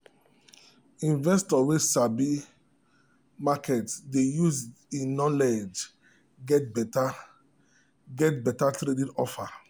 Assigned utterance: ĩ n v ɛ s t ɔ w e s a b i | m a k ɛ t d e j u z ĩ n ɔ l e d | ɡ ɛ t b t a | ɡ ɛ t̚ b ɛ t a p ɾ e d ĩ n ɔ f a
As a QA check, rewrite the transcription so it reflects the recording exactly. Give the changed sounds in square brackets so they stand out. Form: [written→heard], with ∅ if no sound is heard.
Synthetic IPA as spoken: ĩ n v ɛ s t ɔ w e s a b i | m a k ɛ t d e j u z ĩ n ɔ l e [d→d͡ʒ] | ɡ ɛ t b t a | ɡ ɛ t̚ b ɛ t a [p→t] ɾ e d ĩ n ɔ f a

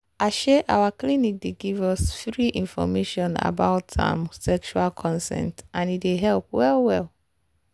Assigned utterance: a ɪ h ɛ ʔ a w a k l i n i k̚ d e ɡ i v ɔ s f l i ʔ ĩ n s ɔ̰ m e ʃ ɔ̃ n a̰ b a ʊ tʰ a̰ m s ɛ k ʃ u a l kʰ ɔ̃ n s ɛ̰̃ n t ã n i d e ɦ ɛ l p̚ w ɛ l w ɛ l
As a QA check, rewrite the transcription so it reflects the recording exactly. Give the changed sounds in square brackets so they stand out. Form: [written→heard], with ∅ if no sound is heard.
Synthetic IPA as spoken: a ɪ [h→ʃ] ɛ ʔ a w a k l i n i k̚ d e ɡ i v ɔ s f [l→ɹ] i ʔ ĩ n [s→f] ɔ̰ m e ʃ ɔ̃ n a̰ b a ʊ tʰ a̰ m s ɛ k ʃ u a l kʰ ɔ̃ n s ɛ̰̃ n t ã n i d e ɦ ɛ l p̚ w ɛ l w ɛ l

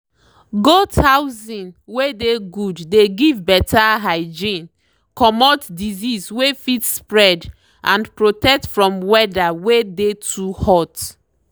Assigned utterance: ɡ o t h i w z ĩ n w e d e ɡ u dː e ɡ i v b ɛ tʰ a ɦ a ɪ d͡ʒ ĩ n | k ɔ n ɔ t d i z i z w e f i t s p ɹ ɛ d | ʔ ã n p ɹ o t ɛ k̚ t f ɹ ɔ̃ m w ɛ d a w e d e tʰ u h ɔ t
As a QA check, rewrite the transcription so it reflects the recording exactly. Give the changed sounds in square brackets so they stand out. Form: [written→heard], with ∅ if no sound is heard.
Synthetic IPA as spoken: ɡ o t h [i→a] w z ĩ n w e d e ɡ u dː e ɡ i v b ɛ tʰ a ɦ a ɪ d͡ʒ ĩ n | k ɔ [n→m] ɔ t d i z i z w e f i t s p ɹ ɛ d | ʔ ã n p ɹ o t ɛ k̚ t f ɹ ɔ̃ m w ɛ d a w e d e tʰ u h ɔ t

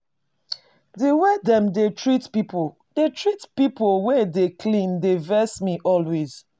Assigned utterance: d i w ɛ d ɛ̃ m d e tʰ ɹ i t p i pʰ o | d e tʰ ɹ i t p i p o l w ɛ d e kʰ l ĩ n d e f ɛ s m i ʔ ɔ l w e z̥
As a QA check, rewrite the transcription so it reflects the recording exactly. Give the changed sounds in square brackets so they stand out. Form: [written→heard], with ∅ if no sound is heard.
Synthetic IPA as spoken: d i w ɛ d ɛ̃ m d e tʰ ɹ i t p i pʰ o | d e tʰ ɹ i t p i p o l w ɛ d e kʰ l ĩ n d e [f→v] ɛ s m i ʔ ɔ l w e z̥

